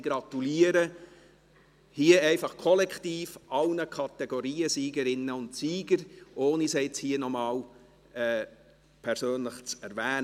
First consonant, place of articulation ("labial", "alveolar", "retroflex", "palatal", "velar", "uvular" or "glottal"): velar